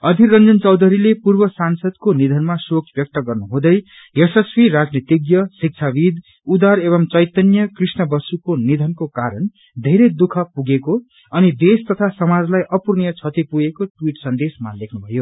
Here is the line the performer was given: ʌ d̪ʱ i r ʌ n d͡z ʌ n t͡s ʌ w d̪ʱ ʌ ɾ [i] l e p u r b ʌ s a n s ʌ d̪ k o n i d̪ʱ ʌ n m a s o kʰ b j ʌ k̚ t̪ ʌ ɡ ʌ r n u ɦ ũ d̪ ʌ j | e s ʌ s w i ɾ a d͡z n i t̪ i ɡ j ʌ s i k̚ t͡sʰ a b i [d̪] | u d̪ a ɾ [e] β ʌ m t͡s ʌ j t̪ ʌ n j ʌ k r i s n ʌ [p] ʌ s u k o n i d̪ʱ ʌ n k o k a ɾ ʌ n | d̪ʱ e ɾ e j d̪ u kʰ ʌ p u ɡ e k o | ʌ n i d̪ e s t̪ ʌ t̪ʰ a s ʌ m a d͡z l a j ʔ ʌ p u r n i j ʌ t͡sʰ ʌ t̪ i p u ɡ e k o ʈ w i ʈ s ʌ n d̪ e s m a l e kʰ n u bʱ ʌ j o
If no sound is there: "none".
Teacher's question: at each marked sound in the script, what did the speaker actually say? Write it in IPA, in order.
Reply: i, d̪, e, b

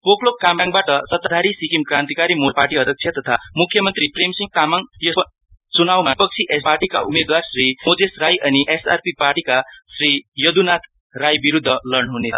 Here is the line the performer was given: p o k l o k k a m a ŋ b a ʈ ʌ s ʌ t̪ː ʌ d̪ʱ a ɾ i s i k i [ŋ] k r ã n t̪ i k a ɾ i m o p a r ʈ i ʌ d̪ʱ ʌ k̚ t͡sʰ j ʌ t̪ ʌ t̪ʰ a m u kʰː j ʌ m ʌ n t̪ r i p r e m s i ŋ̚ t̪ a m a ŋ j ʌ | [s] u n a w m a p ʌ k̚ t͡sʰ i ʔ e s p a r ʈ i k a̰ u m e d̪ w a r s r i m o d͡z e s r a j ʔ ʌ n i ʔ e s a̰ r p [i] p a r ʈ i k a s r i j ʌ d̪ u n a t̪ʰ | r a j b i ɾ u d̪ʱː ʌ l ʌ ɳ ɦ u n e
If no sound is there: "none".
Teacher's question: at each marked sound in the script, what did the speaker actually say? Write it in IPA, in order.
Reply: m, t͡s, i

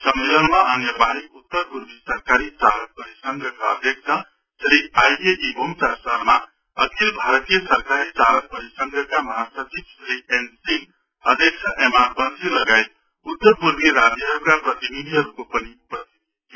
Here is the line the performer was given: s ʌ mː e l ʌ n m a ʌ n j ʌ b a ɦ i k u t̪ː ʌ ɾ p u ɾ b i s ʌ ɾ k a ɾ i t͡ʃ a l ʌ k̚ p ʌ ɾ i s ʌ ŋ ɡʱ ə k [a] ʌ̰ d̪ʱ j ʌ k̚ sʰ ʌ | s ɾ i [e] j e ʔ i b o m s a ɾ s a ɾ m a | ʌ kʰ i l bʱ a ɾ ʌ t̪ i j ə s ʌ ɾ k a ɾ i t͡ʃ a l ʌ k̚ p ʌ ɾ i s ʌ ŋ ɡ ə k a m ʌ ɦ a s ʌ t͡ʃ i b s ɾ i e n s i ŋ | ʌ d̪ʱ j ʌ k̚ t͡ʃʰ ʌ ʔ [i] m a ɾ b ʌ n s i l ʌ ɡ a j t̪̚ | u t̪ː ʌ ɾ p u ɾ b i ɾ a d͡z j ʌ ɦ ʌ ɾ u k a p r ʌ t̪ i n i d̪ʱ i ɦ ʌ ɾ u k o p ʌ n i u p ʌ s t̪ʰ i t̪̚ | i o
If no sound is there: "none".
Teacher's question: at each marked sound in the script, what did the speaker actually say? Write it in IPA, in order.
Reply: a, a, e

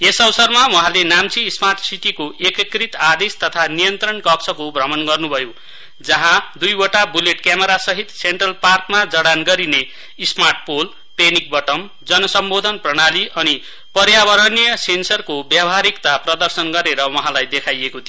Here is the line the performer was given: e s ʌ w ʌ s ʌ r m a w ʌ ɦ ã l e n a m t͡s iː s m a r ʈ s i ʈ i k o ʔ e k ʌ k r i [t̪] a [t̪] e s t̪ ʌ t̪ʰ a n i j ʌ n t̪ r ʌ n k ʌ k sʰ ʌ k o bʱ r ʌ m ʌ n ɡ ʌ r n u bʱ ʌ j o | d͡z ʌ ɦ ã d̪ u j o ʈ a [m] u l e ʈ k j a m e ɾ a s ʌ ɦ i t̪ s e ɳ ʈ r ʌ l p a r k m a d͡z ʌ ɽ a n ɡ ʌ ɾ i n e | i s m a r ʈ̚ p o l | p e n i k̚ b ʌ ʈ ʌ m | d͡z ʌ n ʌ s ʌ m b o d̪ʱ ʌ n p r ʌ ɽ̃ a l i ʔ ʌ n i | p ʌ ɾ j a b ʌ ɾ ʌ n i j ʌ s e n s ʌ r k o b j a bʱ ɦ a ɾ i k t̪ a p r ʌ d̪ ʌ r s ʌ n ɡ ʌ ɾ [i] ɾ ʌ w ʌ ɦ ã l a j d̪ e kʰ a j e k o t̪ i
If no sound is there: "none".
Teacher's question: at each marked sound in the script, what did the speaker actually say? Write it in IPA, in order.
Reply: t̪, d̪, b, e

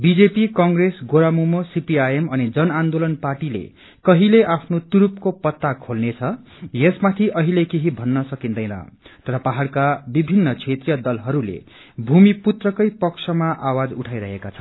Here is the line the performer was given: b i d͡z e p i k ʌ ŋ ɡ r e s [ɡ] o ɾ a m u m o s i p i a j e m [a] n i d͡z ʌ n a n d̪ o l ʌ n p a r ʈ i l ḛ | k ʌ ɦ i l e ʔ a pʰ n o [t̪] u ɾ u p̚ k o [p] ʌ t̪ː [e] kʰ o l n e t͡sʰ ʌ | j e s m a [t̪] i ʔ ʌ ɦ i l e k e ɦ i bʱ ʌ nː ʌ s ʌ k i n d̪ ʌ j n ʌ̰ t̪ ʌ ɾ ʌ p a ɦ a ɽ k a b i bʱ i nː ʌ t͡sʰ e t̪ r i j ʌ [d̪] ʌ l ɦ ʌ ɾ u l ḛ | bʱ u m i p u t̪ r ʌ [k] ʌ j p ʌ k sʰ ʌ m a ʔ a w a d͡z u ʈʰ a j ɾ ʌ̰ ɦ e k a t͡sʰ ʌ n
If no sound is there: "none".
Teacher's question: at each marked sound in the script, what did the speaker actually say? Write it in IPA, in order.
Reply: ɡ, ʌ, t̪, p, a, t̪ʰ, d̪, k

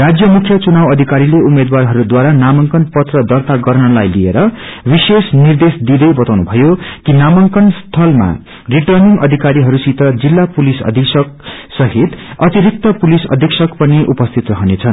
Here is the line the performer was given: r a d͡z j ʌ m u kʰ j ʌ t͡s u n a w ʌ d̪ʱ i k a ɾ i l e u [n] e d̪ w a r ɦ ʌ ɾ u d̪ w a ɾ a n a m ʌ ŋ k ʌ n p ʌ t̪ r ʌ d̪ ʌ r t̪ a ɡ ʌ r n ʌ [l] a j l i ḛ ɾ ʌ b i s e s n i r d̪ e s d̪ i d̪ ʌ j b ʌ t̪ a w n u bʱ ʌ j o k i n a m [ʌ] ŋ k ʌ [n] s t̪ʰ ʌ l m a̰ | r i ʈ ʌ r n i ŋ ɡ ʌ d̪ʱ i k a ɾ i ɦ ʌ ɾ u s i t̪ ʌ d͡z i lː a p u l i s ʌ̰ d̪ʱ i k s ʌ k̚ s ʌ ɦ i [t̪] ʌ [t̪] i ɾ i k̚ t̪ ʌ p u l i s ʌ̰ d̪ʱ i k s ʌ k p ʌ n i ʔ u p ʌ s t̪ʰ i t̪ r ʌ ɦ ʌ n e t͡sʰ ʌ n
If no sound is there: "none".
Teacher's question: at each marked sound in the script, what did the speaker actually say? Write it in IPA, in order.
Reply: m, l, ʌ, n, t̪, t̪

